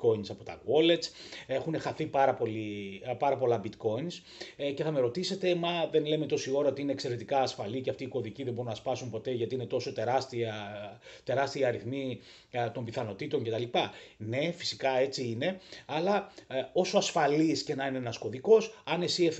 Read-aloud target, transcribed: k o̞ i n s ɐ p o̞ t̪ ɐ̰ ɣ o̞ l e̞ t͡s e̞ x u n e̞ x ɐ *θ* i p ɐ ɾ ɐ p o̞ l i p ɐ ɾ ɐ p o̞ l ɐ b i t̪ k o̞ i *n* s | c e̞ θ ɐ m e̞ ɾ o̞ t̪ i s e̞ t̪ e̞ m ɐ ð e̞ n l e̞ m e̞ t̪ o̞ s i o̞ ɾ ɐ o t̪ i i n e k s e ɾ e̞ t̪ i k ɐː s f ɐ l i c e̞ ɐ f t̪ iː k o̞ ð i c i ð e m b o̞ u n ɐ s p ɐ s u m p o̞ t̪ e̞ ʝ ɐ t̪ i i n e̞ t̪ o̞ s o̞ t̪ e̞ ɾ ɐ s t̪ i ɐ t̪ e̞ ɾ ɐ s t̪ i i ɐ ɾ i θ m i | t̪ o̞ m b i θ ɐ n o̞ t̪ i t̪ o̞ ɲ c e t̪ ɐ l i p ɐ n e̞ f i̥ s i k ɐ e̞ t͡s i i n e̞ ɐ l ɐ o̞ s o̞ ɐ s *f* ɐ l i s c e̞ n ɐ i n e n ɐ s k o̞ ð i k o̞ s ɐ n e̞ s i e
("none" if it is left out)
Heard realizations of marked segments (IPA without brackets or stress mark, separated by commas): θ, n, f